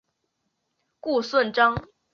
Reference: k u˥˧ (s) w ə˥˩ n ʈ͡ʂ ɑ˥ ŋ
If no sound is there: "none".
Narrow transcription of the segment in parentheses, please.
s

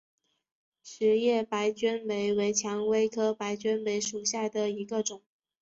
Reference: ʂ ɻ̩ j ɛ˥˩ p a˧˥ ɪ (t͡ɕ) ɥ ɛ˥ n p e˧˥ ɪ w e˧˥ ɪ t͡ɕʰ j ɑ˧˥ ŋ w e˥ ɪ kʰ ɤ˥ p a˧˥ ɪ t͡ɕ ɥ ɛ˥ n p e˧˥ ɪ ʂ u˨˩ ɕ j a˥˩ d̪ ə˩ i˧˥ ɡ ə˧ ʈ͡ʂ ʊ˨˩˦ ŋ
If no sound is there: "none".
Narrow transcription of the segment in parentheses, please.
t͡ɕ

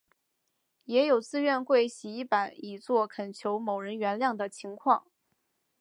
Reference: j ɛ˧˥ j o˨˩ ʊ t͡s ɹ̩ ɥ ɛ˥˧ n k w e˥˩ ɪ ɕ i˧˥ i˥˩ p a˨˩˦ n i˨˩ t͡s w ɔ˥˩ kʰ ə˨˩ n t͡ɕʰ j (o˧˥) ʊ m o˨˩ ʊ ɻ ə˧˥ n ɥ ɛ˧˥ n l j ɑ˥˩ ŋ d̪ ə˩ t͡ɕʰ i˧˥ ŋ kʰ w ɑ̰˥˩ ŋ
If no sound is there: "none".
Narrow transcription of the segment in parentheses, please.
o˧˥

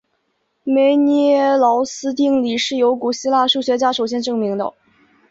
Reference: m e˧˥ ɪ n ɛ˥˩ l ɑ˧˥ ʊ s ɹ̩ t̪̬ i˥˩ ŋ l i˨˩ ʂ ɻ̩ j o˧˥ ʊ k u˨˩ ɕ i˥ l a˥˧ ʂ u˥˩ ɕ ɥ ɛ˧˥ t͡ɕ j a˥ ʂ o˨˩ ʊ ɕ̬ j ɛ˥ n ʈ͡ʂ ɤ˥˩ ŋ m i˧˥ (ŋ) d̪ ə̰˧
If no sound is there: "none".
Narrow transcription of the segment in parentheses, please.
ŋ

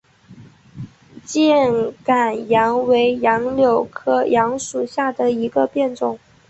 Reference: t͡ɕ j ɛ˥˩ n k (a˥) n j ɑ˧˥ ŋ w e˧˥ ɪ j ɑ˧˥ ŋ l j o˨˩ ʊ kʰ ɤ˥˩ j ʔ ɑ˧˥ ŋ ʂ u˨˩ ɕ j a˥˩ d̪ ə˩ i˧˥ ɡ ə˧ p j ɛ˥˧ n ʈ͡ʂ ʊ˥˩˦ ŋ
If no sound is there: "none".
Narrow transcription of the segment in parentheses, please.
a˨˩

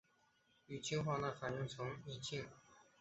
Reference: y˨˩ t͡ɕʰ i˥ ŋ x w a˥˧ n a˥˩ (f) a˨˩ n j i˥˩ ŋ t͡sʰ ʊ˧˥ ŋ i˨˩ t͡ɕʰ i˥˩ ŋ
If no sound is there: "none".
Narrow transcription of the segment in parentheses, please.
f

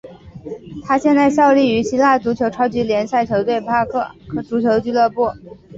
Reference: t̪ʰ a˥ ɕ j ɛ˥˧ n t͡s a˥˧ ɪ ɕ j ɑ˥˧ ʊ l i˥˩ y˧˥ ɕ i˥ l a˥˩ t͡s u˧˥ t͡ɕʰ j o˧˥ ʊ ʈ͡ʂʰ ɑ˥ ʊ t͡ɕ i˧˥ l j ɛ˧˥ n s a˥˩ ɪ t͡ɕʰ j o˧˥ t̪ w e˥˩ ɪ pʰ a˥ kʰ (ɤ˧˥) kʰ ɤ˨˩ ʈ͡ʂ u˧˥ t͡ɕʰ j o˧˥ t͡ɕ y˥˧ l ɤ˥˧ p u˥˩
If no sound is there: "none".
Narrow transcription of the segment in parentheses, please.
ɤ˥˩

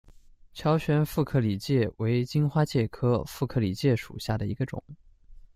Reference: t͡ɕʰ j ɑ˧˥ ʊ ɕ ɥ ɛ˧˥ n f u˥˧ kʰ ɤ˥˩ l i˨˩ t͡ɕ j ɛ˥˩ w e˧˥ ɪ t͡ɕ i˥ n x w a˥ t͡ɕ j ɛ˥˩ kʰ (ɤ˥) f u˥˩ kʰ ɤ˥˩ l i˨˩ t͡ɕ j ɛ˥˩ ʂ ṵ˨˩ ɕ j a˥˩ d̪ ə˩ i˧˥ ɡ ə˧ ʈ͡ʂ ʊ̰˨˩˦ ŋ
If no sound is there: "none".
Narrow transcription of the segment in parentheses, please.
ɤ˥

